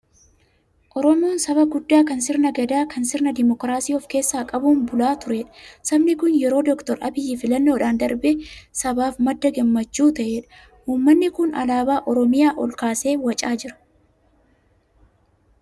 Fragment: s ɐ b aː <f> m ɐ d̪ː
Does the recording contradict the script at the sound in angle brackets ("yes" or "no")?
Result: no